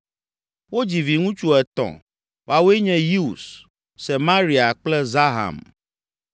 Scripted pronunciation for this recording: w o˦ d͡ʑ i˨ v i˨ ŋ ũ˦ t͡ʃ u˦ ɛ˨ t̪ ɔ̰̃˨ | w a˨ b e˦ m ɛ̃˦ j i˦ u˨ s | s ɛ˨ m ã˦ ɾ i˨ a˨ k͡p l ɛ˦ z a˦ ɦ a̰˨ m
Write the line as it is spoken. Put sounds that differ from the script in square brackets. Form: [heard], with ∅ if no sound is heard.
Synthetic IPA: w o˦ d͡ʑ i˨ v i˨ ŋ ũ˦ t͡ʃ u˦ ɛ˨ t̪ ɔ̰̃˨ | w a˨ [w] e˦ [ɲ] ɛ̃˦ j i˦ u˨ s | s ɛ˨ m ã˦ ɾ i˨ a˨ k͡p l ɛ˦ z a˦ ɦ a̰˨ m